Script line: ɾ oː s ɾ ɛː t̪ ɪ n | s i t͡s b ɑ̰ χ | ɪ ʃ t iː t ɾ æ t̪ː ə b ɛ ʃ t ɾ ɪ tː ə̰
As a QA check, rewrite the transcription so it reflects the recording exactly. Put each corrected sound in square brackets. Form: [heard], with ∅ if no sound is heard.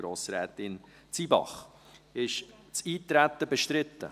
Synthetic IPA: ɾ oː s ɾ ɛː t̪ ɪ n | [t͡s] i [∅] b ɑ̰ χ | ɪ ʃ [t͡s] iː t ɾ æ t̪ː ə b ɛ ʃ t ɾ ɪ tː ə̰